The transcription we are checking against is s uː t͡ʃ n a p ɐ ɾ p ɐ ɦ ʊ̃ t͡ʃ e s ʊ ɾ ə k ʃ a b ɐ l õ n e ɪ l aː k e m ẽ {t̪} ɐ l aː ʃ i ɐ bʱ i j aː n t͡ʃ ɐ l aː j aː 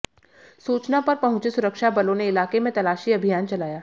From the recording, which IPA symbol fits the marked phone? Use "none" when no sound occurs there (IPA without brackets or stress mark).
t̪